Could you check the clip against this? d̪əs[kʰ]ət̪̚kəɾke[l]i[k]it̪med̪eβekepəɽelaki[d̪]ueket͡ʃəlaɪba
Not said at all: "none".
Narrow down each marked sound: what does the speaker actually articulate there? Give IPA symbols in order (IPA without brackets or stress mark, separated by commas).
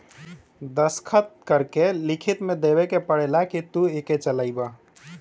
kʰ, l, kʰ, t̪